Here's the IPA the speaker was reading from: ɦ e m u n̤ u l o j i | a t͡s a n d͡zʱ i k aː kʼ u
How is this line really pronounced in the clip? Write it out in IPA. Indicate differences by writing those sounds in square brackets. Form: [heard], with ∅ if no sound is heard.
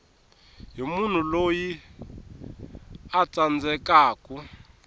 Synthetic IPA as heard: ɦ [i] m u n̤ u l o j i | a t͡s a n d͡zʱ [ɛ] k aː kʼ u